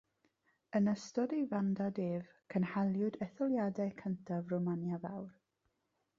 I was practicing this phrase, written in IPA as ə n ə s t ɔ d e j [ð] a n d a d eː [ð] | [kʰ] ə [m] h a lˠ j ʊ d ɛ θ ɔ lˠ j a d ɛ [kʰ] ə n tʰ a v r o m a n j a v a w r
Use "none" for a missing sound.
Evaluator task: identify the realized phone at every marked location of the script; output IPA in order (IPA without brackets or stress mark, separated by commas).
v, v, kʰ, n, kʰ